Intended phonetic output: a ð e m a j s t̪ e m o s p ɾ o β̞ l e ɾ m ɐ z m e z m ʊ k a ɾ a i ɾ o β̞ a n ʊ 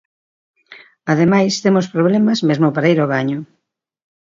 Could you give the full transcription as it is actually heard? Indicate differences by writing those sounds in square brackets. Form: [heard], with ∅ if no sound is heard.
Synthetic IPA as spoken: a ð e m a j s t̪ e m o s p ɾ o β̞ l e [∅] m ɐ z m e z m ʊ [p] a ɾ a i ɾ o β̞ a [ɲ] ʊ